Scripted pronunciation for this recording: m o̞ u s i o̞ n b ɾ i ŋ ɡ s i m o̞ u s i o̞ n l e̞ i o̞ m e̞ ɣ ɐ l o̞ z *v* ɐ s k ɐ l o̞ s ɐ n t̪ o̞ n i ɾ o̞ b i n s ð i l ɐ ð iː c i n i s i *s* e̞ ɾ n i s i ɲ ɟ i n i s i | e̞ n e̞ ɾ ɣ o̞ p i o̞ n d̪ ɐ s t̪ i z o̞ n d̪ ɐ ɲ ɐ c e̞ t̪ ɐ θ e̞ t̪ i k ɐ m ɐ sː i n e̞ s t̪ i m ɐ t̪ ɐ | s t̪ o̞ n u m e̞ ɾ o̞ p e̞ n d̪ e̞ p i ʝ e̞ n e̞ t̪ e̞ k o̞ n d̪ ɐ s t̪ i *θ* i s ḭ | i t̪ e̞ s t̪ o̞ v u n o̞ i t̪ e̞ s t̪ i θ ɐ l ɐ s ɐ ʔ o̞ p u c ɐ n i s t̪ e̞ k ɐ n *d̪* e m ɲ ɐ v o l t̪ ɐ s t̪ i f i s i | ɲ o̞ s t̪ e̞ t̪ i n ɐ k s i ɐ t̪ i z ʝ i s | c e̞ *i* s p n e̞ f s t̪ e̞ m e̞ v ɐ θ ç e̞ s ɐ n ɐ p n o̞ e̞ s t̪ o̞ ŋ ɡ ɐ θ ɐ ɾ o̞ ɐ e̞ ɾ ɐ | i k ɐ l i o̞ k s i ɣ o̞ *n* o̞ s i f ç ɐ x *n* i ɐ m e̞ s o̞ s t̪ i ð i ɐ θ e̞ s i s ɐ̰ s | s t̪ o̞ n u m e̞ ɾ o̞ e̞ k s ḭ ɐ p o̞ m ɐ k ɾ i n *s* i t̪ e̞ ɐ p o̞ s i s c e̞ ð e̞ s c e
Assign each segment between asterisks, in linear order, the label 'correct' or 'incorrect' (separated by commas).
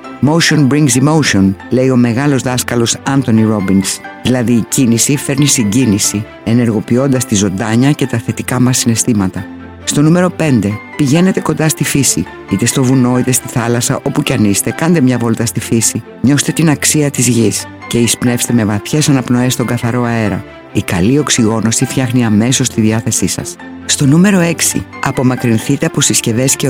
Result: incorrect, incorrect, incorrect, correct, correct, correct, correct, incorrect